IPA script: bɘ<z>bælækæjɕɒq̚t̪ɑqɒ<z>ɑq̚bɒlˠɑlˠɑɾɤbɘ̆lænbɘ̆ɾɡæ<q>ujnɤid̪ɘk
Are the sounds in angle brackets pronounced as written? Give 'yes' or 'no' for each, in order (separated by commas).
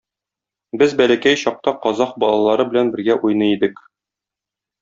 yes, yes, no